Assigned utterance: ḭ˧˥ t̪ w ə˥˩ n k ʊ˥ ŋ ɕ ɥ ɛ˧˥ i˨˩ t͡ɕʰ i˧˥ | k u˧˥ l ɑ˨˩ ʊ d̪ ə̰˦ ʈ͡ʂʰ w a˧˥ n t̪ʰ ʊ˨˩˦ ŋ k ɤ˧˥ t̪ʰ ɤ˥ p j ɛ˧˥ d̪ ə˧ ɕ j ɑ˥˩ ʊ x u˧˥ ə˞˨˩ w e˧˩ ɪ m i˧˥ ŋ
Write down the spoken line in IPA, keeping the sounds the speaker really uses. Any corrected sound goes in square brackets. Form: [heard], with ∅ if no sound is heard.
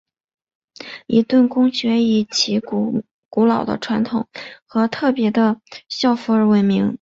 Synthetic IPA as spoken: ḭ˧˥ t̪ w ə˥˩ n k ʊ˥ ŋ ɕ ɥ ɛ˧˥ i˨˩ t͡ɕʰ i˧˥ | k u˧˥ l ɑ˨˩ ʊ d̪ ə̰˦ ʈ͡ʂʰ w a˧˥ n t̪ʰ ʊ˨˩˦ ŋ [x] ɤ˧˥ t̪ʰ [ɤ˥˩] p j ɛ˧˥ d̪ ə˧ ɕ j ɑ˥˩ ʊ [f] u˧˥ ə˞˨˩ w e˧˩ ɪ m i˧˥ ŋ